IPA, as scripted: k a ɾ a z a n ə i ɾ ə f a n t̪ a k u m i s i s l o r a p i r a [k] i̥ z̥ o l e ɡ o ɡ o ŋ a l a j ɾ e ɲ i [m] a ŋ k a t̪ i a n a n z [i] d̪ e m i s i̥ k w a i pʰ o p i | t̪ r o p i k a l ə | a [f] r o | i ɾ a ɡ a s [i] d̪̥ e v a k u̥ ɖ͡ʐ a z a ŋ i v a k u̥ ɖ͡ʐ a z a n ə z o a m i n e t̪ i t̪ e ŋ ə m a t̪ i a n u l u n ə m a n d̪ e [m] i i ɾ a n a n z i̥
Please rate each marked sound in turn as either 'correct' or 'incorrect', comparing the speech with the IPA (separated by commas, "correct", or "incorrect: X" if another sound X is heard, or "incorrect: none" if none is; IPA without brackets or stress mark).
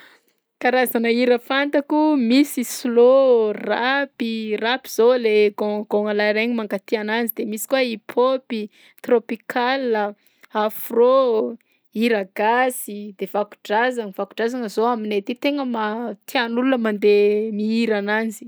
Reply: incorrect: p, correct, correct, correct, correct, correct